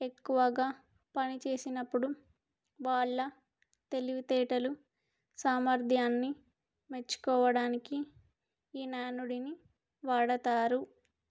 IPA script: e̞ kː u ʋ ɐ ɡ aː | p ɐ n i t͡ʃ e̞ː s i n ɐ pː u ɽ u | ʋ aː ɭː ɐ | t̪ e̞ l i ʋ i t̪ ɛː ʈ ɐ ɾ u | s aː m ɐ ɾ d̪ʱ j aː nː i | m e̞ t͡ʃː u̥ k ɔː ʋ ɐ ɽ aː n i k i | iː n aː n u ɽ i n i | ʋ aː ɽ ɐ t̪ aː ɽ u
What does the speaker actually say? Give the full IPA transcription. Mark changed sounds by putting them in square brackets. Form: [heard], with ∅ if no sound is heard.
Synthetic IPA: e̞ kː u ʋ ɐ ɡ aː | p ɐ n i t͡ʃ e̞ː s i n ɐ pː u ɽ u | ʋ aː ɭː ɐ | t̪ e̞ l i ʋ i t̪ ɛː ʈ ɐ [l] u | s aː m ɐ ɾ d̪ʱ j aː nː i | m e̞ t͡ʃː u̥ k ɔː ʋ ɐ ɽ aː n i k i | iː n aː n u ɽ i n i | ʋ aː ɽ ɐ t̪ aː [ɾ] u